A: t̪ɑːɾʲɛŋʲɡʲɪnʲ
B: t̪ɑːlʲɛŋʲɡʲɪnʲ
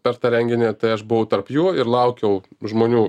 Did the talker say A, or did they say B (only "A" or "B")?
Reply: A